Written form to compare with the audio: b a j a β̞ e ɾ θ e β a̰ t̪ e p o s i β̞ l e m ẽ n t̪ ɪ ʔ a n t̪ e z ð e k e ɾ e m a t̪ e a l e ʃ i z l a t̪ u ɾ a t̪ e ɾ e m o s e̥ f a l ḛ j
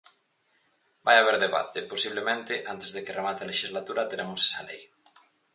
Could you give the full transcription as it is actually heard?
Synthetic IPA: b a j a β̞ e ɾ ð e β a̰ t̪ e p o s i β̞ l e m ẽ n t̪ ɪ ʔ a n t̪ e z ð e k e r e m a t̪ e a l e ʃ i z l a t̪ u ɾ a t̪ e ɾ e m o s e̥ s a l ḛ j